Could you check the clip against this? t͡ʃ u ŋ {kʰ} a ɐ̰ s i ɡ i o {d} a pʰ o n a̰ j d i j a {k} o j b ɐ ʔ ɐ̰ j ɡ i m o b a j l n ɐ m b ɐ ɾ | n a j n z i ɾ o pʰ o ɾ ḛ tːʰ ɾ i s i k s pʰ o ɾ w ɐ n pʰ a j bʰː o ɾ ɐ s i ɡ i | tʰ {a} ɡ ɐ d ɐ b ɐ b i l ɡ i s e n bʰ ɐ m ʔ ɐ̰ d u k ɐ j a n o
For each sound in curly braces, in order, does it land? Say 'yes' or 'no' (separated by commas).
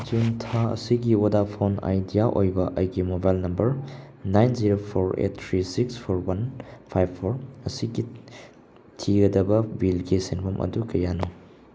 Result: no, yes, no, no